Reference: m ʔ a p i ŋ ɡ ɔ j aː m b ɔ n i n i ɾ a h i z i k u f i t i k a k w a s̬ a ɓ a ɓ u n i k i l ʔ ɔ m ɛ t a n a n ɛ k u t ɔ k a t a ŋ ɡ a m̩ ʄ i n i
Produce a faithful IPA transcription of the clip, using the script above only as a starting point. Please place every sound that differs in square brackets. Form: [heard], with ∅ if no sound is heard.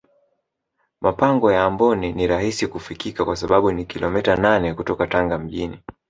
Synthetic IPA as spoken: m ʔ a p [a] ŋ ɡ ɔ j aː m b ɔ n i n i ɾ a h i [s] i k u f i [k] i k a k w a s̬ a ɓ a ɓ u n i k i l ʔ ɔ m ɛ t a n a n ɛ k u t ɔ k a t a ŋ ɡ a m̩ ʄ i n i